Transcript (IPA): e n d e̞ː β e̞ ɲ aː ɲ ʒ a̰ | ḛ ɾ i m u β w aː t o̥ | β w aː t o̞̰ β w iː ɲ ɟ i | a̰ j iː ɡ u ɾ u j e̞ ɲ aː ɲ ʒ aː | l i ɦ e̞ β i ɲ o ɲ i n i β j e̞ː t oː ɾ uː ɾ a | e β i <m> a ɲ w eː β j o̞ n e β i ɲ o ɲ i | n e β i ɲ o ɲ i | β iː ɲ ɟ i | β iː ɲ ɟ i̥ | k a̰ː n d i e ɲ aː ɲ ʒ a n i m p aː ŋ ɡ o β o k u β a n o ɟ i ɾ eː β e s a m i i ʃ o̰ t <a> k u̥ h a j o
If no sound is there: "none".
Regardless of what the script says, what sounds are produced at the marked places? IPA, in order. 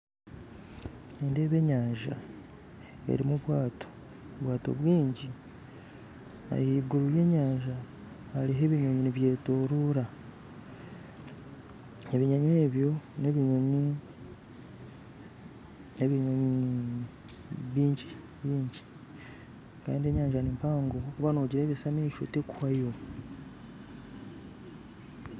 ɲ, e

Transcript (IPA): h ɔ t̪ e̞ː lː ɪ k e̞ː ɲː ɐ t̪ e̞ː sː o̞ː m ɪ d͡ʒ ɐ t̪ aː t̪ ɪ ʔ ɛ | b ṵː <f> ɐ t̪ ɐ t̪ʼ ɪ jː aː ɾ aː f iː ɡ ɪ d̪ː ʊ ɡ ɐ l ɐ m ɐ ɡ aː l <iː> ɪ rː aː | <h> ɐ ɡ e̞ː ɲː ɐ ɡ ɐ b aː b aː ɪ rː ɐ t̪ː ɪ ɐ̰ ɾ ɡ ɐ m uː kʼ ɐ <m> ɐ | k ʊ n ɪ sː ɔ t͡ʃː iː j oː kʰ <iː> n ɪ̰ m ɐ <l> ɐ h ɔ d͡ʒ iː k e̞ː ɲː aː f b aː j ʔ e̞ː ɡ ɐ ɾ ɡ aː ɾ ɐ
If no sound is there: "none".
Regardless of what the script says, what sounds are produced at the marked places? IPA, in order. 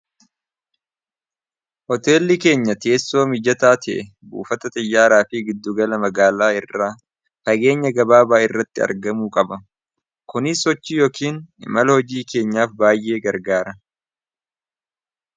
f, aː, f, b, iː, l

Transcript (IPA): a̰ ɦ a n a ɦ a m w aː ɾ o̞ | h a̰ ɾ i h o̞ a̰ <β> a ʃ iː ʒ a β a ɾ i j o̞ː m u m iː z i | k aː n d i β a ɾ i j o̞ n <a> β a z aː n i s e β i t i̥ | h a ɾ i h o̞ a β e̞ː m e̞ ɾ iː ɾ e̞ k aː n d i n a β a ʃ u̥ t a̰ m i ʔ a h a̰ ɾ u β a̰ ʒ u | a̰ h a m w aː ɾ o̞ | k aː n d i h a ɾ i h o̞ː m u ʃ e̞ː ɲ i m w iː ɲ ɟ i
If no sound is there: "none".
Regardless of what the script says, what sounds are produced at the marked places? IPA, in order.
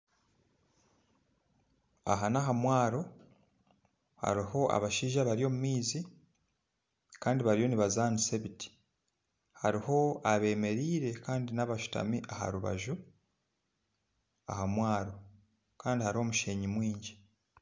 β, i

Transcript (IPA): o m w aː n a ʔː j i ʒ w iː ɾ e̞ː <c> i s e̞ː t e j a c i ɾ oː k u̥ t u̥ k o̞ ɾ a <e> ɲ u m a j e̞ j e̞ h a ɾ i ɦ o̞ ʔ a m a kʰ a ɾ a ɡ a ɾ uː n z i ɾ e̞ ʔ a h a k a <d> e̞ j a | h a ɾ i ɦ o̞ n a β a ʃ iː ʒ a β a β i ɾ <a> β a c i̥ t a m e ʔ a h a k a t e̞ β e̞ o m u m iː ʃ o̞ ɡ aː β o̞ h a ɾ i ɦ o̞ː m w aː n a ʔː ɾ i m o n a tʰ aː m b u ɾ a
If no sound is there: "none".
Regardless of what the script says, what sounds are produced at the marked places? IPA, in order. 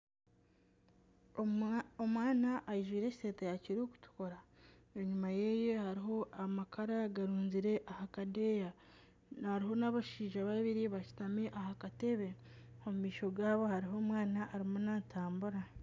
c, e, d, i

